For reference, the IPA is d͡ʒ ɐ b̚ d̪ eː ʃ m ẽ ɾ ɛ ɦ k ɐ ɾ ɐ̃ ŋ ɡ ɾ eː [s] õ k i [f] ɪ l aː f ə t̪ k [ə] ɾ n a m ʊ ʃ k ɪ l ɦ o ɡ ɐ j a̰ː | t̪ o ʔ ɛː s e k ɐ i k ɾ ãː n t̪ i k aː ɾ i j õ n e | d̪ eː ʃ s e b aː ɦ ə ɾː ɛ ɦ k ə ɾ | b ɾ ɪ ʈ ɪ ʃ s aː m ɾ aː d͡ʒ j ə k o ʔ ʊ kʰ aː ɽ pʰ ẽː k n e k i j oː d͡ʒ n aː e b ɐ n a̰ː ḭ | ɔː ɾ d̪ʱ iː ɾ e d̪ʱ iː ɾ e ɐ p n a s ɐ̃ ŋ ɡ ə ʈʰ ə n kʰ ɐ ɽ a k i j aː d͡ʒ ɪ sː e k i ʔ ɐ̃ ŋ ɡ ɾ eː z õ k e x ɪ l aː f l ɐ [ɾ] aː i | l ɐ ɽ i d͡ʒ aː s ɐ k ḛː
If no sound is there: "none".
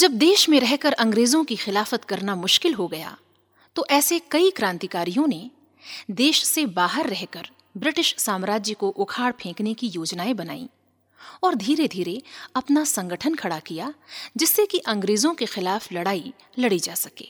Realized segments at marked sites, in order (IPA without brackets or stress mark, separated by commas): z, x, ɐ, ɽ